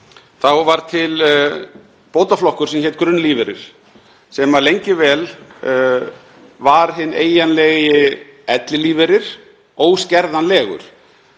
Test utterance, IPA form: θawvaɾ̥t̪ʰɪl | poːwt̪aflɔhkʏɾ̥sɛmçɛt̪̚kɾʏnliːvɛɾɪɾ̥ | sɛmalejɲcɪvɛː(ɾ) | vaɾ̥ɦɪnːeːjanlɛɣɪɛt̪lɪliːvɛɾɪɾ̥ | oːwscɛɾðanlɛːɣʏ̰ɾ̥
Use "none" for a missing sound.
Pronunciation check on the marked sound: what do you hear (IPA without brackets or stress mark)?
l